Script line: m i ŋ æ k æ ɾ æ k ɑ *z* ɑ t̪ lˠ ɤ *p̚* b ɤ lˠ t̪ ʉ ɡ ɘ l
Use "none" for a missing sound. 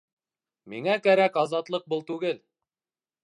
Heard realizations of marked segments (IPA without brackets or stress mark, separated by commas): z, q̚